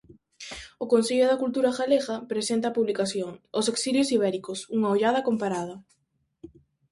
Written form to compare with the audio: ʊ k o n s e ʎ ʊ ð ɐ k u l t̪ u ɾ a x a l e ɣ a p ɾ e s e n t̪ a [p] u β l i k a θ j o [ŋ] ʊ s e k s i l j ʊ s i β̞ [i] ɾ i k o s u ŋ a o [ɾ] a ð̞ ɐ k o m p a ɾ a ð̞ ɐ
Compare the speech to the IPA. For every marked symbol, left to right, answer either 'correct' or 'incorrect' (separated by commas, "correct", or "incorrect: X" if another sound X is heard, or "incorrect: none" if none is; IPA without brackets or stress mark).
correct, correct, incorrect: ɛ, incorrect: ʎ